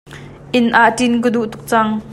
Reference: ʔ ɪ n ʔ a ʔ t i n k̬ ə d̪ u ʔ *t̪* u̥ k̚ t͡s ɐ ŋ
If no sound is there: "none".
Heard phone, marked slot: t̪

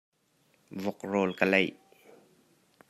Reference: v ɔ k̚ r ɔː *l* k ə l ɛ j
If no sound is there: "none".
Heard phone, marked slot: l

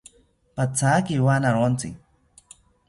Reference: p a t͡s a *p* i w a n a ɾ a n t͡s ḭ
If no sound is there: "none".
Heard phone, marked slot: k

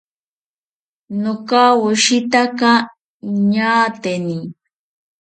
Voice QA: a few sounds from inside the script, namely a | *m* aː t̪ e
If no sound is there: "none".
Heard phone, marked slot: ɲ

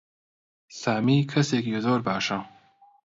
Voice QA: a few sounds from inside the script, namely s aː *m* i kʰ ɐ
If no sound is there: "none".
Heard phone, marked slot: m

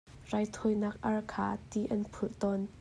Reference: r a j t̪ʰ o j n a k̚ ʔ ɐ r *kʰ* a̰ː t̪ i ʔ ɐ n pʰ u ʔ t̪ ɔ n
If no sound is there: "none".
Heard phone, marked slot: kʰ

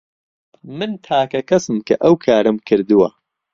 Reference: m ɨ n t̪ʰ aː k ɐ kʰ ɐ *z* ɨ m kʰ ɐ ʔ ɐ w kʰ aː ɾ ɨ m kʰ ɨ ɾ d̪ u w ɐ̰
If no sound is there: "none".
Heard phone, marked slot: s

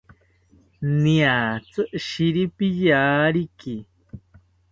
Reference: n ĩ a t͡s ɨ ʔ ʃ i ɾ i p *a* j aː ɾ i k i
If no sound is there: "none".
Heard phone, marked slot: i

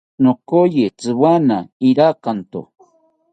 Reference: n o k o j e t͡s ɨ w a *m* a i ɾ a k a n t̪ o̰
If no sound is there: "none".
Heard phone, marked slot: n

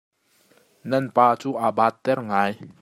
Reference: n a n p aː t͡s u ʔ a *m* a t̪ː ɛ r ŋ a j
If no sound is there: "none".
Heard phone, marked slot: b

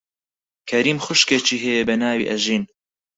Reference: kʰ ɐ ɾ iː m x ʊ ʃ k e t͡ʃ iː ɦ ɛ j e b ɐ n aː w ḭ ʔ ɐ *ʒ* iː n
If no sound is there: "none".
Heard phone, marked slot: ʒ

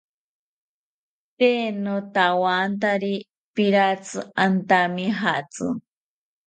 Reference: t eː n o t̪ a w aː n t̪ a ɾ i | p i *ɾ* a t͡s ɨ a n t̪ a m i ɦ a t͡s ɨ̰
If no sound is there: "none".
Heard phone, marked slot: ɾ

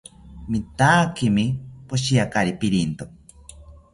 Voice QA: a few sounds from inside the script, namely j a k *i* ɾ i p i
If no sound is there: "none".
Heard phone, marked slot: a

